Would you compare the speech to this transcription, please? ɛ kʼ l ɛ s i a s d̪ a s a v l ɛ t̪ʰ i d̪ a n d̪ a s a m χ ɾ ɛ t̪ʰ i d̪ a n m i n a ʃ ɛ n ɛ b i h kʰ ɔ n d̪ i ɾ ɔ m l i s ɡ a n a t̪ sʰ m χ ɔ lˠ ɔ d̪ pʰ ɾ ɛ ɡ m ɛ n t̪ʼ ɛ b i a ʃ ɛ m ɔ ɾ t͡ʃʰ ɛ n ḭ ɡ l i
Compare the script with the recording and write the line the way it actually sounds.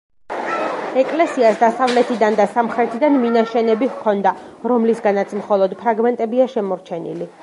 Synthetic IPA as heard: ɛ kʼ l ɛ s i a s d̪ a s a v l ɛ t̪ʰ i d̪ a n d̪ a s a m χ ɾ ɛ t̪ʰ i d̪ a n m i n a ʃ ɛ n ɛ b i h kʰ ɔ n d̪ a ɾ ɔ m l i s ɡ a n a t̪ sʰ m χ ɔ lˠ ɔ d̪ pʰ ɾ a ɡ m ɛ n t̪ʼ ɛ b i a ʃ ɛ m ɔ ɾ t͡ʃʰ ɛ n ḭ l i

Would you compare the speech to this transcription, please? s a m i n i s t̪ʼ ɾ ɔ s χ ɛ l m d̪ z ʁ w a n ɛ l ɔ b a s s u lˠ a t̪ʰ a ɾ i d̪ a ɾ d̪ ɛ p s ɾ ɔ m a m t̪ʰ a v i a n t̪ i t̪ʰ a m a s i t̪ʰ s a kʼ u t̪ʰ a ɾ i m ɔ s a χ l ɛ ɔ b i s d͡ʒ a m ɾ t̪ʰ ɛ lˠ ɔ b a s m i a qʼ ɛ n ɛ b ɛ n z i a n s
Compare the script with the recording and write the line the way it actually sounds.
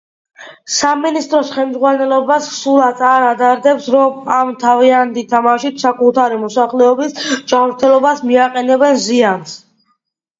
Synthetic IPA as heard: s a m i n i s t̪ʼ ɾ ɔ s χ ɛ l m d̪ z ʁ w a n ɛ l ɔ b a s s u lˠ a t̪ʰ a ɾ a d̪ a ɾ d̪ ɛ p s ɾ ɔ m a m t̪ʰ a v i a n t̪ i t̪ʰ a m a ʃ i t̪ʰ s a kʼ u t̪ʰ a ɾ i m ɔ s a χ l ɛ ɔ b i s d͡ʒ a m ɾ t̪ʰ ɛ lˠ ɔ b a s m i a qʼ ɛ n ɛ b ɛ n z i a n s

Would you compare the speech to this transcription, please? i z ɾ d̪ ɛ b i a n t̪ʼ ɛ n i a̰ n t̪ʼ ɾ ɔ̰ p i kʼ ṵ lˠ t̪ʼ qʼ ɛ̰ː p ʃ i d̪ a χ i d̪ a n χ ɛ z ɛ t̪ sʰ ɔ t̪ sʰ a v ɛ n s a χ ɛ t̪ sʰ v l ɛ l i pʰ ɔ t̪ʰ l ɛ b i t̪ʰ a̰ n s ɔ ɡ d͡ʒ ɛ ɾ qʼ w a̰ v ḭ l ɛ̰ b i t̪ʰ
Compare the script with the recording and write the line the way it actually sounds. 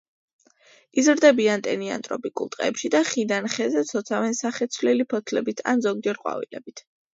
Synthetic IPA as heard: i z ɾ d̪ ɛ b i a n t̪ʼ ɛ n i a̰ n t̪ʼ ɾ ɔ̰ p i kʼ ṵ lˠ t̪ʼ qʼ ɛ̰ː p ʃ i d̪ a χ i d̪ a n χ ɛ z ɛ t̪ sʰ ɔ t̪ sʰ a v ɛ n s a χ ɛ t̪ sʰ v l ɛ l i pʰ ɔ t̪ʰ l ɛ b i t̪ʰ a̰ n z ɔ ɡ d͡ʒ ɛ ɾ qʼ w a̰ v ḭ l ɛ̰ b i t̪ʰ

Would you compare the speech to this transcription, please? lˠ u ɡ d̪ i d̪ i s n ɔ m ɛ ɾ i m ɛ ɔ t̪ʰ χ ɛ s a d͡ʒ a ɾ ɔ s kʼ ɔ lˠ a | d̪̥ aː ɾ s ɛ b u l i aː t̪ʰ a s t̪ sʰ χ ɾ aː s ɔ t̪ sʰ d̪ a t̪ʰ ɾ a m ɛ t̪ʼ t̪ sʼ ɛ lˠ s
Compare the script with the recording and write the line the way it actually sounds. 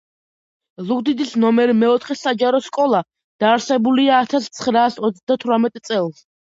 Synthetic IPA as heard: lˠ u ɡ d̪ i d̪ i s n ɔ m ɛ ɾ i m ɛ ɔ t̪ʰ χ ɛ s a d͡ʒ a ɾ ɔ s kʼ ɔ lˠ a | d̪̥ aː ɾ s ɛ b u l i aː t̪ʰ a s t̪ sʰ χ ɾ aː s ɔ t̪ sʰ d̪ a t̪ʰ ɾ a m ɛ t̪ʼ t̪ sʼ ɛ lˠ s

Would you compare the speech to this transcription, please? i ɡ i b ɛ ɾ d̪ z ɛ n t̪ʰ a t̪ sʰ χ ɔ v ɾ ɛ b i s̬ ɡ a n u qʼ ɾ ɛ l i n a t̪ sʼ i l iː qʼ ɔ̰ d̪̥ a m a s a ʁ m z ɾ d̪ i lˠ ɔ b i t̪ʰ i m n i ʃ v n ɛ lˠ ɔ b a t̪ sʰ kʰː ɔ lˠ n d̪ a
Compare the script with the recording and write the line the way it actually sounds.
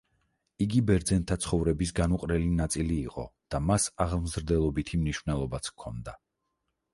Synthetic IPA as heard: i ɡ i b ɛ ɾ d̪ z ɛ n t̪ʰ a t̪ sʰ χ ɔ v ɾ ɛ b i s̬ ɡ a n u qʼ ɾ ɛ l i n a t̪ sʼ i l iː qʼ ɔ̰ d̪̥ a m a s a ʁ m z ɾ d̪ ɛ lˠ ɔ b i t̪ʰ i m n i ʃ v n ɛ lˠ ɔ b a t̪ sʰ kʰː ɔ n d̪ a

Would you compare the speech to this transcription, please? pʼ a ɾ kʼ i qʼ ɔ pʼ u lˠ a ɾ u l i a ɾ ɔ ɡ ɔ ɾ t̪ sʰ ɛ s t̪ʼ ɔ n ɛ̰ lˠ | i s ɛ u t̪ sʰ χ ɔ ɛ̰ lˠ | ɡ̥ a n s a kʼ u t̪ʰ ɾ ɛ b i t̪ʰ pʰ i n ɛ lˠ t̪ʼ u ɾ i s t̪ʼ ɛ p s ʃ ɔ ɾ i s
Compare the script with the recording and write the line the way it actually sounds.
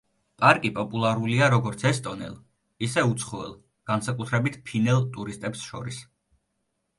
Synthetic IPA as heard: pʼ a ɾ kʼ i pʼ ɔ pʼ u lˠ a ɾ u l i a ɾ ɔ ɡ ɔ ɾ t̪ sʰ ɛ s t̪ʼ ɔ n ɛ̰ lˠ | i s ɛ u t̪ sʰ χ ɔ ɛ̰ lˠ | ɡ̥ a n s a kʼ u t̪ʰ ɾ ɛ b i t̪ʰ pʰ i n ɛ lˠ t̪ʼ u ɾ i s t̪ʼ ɛ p s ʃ ɔ ɾ i s

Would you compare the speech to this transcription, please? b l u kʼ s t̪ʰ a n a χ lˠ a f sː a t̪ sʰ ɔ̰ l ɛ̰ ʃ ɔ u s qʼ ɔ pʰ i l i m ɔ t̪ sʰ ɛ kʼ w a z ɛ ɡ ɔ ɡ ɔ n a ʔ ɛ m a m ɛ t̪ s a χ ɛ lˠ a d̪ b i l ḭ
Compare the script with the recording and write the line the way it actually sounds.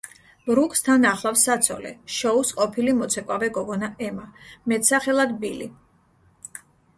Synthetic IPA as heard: b ɾ u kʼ s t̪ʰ a n a χ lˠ a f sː a t̪ sʰ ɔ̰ l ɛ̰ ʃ ɔ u s qʼ ɔ pʰ i l i m ɔ t̪ sʰ ɛ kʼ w a v ɛ ɡ ɔ ɡ ɔ n a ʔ ɛ m a m ɛ t̪ s a χ ɛ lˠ a d̪ b i l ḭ

